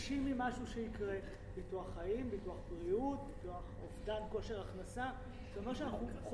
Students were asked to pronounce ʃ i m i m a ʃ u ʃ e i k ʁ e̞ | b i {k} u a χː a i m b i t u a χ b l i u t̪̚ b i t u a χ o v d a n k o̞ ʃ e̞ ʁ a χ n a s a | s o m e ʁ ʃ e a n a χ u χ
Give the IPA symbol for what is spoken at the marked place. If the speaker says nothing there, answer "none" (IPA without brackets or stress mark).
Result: t